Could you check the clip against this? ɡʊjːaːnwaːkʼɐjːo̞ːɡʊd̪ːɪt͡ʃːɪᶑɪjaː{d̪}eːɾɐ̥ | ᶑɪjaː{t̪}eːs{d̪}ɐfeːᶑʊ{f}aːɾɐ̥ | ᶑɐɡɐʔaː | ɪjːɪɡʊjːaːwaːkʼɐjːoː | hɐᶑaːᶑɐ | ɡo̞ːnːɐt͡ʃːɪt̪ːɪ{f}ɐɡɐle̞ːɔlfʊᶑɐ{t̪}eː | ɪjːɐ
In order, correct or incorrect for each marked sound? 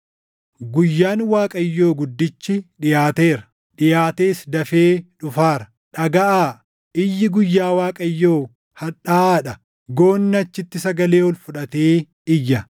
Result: incorrect, correct, correct, correct, incorrect, correct

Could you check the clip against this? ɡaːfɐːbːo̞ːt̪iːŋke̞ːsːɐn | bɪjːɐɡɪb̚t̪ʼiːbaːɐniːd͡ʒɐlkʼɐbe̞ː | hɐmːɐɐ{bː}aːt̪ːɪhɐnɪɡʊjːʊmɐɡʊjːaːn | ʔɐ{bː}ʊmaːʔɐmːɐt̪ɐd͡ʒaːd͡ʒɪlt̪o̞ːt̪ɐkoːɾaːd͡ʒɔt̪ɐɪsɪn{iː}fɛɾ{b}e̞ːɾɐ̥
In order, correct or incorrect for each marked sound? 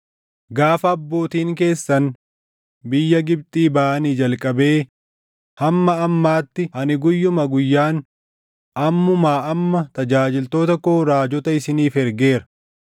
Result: incorrect, incorrect, correct, incorrect

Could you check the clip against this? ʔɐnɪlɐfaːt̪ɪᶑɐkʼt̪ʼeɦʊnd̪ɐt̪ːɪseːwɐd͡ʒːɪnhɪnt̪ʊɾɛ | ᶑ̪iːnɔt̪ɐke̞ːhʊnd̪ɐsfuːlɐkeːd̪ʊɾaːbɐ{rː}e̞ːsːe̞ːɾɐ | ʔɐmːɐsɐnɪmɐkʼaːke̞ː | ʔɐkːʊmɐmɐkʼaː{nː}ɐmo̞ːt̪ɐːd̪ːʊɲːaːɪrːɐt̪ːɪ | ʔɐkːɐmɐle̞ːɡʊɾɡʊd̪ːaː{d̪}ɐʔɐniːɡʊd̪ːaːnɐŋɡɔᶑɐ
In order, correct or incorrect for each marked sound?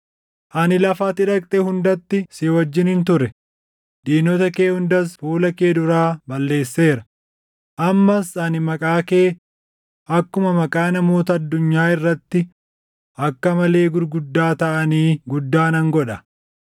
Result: incorrect, incorrect, incorrect

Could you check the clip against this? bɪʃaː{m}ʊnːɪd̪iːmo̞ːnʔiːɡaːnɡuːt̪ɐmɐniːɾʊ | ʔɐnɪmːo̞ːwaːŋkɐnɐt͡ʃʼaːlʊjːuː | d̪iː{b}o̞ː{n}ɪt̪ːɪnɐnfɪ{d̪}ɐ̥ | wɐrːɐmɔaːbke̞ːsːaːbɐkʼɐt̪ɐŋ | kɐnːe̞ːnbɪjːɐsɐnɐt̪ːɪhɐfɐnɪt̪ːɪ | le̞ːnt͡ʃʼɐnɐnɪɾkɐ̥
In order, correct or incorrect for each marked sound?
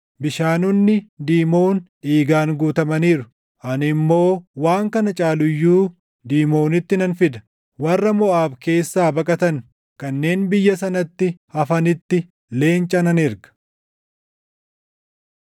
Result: incorrect, incorrect, correct, correct

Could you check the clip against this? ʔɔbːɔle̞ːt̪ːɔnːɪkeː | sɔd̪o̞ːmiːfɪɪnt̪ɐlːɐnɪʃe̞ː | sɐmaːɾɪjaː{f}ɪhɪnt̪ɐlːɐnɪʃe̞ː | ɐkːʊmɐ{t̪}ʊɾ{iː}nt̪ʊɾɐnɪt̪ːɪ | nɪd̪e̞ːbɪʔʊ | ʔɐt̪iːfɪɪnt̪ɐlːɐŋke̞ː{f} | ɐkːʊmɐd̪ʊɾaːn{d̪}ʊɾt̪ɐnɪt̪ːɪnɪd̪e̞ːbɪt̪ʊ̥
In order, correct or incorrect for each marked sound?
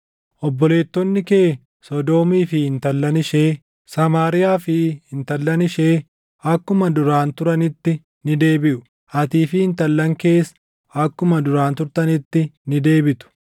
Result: correct, incorrect, incorrect, incorrect, incorrect

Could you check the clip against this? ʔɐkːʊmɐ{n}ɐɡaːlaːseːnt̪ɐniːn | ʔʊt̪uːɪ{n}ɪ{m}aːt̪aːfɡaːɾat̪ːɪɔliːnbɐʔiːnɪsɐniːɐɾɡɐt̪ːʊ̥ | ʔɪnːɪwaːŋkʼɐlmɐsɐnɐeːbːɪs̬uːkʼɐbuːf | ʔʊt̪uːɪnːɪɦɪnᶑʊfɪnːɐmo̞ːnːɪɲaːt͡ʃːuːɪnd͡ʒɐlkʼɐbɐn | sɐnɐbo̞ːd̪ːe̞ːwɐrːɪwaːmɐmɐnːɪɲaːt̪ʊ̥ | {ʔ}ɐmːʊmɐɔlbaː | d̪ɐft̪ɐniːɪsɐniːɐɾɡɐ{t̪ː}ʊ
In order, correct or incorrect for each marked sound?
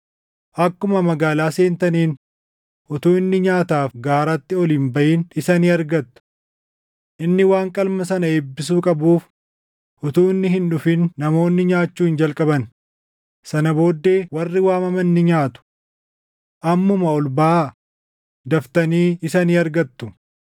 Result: incorrect, incorrect, incorrect, correct, correct

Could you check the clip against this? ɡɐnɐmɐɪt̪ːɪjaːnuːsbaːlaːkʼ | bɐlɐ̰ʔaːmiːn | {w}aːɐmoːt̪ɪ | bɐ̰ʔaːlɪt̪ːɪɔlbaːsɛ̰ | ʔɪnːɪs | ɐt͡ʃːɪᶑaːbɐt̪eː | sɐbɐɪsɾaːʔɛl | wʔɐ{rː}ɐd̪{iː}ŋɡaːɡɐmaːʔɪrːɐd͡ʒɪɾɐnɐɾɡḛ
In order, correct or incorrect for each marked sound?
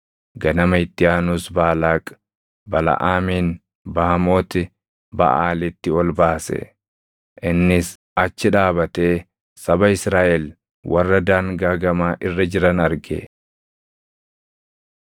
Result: incorrect, correct, incorrect

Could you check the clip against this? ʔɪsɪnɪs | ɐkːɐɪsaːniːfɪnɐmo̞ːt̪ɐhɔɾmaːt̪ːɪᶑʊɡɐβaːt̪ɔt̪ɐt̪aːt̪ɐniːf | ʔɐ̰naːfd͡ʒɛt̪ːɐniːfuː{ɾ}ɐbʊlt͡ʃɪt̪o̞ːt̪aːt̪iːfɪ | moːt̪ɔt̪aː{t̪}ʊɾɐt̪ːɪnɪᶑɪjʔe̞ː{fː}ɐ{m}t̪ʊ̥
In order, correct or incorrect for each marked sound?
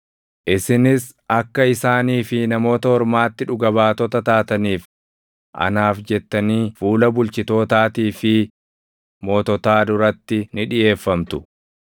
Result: incorrect, incorrect, correct, correct

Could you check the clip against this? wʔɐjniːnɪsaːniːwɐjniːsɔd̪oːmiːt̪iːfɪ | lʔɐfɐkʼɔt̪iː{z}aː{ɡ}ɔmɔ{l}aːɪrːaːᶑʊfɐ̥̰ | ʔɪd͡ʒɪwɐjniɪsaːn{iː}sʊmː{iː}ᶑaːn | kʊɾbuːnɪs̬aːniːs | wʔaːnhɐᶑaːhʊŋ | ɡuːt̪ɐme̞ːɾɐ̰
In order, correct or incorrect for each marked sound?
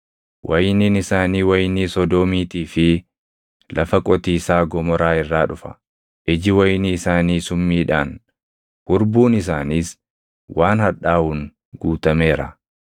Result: incorrect, correct, incorrect, correct, correct

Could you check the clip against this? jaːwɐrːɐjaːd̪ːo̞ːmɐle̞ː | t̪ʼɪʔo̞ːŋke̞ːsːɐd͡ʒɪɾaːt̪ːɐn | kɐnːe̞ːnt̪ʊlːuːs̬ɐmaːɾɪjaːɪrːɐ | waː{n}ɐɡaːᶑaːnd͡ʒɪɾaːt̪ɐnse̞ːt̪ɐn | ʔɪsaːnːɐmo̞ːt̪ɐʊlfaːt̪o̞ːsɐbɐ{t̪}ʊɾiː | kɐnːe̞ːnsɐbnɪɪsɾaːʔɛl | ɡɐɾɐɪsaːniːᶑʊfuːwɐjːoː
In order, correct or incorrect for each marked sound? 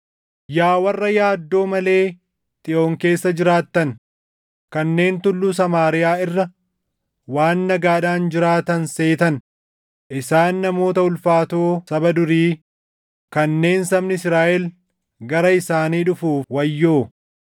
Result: incorrect, incorrect

